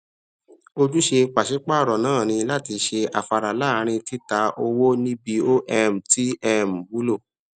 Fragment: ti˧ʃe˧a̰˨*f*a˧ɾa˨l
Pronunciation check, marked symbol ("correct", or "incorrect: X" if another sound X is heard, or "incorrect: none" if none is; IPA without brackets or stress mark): correct